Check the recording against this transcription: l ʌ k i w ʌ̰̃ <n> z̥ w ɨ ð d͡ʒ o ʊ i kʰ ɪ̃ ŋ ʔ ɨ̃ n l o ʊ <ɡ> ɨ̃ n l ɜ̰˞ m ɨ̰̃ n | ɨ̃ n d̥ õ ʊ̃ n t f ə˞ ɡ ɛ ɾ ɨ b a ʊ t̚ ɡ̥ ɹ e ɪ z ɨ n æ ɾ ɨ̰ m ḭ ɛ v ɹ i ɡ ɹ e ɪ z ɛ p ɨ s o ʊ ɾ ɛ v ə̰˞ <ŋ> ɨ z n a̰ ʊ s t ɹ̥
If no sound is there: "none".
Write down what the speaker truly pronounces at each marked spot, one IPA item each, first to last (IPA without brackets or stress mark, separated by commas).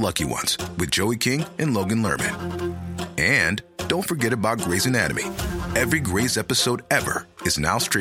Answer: n, ɡ, none